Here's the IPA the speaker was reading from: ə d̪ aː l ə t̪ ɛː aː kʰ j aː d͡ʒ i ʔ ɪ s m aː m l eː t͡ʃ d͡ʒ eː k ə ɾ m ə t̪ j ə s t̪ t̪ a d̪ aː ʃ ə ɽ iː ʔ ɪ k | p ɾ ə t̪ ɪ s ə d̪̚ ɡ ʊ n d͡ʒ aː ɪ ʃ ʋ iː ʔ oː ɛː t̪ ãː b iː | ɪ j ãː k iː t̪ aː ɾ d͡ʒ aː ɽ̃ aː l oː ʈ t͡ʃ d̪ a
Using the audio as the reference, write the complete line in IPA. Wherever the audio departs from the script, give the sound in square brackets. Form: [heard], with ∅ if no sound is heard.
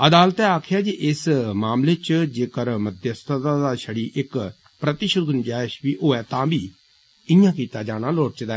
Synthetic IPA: ə d̪ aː l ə t̪ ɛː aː kʰ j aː d͡ʒ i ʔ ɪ s m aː m l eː t͡ʃ d͡ʒ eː k ə ɾ m ə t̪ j ə s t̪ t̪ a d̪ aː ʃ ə ɽ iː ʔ ɪ k | p ɾ ə t̪ ɪ [ʃ] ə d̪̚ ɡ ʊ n d͡ʒ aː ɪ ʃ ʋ iː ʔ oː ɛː t̪ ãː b iː | ɪ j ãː k iː t̪ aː [∅] d͡ʒ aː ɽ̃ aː l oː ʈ t͡ʃ d̪ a

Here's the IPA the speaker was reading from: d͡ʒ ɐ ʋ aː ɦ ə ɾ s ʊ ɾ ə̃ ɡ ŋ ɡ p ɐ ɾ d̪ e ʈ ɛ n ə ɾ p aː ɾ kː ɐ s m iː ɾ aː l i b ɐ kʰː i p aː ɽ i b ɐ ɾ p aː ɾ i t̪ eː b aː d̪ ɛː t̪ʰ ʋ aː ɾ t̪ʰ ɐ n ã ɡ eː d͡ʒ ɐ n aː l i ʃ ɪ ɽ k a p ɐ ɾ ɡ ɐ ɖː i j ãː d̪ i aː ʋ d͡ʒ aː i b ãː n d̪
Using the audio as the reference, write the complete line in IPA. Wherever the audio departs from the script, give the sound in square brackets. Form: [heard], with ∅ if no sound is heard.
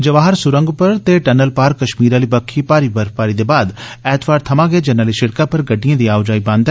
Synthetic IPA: d͡ʒ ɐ ʋ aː ɦ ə ɾ s ʊ ɾ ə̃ [∅] ŋ ɡ p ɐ ɾ [t̪] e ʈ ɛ n ə [l] p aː ɾ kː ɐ [ʃ] m iː ɾ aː l i b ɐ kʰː i p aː [ɾ] i b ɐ ɾ p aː ɾ i [d̪] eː b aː d̪ ɛː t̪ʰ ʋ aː ɾ t̪ʰ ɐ [m] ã ɡ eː d͡ʒ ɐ n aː l i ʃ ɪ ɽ k a p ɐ ɾ ɡ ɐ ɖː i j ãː d̪ i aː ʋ d͡ʒ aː i b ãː n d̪

